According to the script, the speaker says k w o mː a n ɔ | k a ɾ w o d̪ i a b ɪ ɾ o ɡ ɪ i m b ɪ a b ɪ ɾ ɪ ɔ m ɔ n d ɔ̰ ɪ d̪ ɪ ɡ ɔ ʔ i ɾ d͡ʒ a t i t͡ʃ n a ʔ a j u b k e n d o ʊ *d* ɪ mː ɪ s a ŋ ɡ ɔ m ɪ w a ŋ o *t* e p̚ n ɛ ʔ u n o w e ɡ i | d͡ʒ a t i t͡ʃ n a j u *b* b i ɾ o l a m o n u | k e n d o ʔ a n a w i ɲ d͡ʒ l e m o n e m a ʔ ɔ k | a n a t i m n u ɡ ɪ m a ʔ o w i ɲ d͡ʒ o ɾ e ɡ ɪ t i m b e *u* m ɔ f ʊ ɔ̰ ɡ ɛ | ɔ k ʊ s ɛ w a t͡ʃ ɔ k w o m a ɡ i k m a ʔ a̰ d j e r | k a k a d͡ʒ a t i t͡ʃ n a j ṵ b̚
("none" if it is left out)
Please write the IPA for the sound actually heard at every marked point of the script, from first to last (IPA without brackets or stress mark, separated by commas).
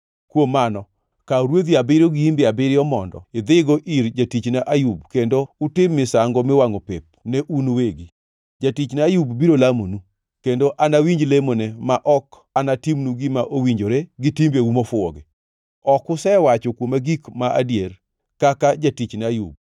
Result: t, p, b, u